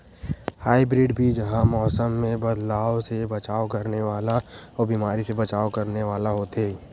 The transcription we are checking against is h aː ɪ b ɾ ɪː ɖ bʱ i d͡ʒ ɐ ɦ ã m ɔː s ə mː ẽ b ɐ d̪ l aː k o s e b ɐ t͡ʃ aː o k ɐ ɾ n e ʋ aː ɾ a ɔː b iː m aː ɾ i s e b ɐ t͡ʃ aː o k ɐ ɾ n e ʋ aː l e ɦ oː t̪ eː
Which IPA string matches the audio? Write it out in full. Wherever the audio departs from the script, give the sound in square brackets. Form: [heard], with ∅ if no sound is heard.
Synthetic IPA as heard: h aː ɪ b ɾ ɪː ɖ bʱ i d͡ʒ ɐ ɦ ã m ɔː s ə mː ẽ b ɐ d̪ l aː [∅] o s e b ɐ t͡ʃ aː o k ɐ ɾ n e ʋ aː [l] a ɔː b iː m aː ɾ i s e b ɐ t͡ʃ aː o k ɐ ɾ n e ʋ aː l [a] ɦ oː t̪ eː